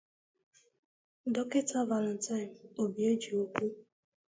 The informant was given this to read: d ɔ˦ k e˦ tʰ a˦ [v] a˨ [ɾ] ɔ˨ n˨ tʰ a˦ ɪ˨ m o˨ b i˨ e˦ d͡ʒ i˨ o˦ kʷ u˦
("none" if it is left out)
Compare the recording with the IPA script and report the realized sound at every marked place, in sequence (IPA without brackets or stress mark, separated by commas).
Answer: v, l